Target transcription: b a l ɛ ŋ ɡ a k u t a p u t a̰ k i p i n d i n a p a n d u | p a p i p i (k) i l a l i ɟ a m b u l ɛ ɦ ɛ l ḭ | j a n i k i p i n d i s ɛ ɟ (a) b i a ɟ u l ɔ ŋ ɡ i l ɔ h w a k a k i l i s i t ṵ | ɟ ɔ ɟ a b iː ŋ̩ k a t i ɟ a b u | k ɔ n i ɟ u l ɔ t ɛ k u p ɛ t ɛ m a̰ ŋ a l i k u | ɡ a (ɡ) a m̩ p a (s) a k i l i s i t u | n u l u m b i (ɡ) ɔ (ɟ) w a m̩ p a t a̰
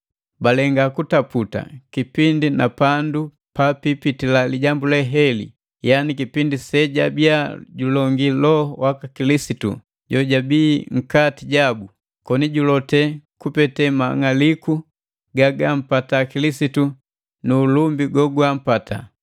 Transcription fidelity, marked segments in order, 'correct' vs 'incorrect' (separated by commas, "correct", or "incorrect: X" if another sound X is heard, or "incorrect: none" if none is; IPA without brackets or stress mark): incorrect: t, correct, correct, incorrect: t, correct, incorrect: ɡ